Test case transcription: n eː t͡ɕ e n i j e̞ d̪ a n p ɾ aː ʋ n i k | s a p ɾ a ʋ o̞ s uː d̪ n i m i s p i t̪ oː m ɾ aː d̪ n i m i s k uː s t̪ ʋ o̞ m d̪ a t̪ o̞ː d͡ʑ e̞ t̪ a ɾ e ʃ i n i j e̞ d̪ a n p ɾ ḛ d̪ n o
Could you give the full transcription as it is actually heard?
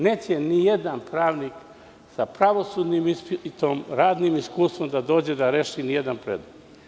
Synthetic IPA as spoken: n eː t͡ɕ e n i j e̞ d̪ a n p ɾ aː ʋ n i k | s a p ɾ a ʋ o̞ s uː d̪ n i m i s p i t̪ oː m ɾ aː d̪ n i m i s k uː s t̪ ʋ o̞ m d̪ a d̪ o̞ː d͡ʑ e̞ d̪ a ɾ e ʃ i n i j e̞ d̪ a n p ɾ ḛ d̪ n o